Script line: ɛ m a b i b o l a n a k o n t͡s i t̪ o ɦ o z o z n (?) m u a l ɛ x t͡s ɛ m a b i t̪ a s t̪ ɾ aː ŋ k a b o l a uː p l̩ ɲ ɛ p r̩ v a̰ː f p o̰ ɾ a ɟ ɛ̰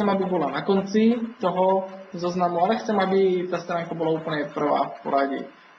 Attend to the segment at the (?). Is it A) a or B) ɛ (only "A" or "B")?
A